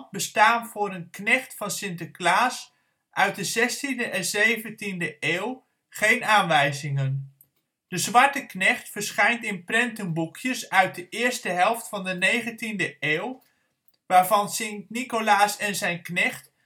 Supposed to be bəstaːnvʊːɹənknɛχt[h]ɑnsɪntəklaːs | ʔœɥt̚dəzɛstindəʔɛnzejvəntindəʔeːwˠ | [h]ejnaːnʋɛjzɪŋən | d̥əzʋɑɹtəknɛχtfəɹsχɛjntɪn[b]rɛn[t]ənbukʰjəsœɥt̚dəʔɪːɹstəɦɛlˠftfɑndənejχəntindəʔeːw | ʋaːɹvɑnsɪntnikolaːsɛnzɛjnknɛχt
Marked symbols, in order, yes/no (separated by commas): no, no, no, yes